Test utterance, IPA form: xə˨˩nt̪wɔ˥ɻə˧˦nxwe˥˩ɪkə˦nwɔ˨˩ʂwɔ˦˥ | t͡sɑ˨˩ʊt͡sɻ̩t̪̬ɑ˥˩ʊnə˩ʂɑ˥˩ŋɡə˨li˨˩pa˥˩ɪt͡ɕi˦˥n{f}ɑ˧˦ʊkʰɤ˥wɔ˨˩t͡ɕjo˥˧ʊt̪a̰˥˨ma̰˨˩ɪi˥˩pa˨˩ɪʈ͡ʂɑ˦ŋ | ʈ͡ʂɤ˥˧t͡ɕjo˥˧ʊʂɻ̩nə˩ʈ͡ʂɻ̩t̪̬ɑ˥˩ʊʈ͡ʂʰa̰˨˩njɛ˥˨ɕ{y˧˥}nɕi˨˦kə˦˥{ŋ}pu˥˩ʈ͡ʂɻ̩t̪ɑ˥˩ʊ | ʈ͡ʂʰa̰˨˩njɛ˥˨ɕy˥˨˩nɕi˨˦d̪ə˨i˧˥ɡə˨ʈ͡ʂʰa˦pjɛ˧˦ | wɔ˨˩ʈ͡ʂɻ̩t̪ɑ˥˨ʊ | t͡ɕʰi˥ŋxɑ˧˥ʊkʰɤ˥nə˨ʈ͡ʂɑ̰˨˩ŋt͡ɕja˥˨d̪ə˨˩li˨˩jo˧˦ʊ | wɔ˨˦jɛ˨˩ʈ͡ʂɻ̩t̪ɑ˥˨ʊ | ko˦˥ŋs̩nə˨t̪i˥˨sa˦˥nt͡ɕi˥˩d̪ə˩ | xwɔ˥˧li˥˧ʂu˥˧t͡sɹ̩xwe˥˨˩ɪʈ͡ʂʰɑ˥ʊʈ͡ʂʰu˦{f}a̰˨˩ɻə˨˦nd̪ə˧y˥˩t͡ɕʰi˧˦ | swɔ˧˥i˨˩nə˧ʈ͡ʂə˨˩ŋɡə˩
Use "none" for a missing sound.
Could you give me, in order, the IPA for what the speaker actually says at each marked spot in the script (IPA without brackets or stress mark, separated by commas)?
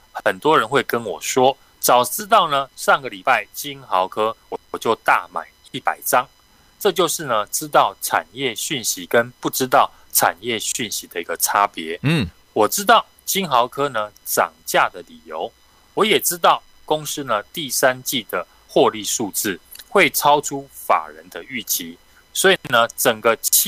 x, y˥˩, n, f